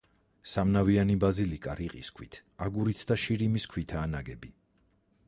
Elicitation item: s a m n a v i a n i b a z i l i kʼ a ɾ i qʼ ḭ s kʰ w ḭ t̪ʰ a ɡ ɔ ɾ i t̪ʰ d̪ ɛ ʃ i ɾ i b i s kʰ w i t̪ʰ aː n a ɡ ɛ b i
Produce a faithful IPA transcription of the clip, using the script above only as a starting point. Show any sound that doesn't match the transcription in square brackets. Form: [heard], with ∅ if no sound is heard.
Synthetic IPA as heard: s a m n a v i a n i b a z i l i kʼ a ɾ i qʼ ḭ s kʰ w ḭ t̪ʰ a ɡ [u] ɾ i t̪ʰ d̪ [a] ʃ i ɾ i [m] i s kʰ w i t̪ʰ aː n a ɡ ɛ b i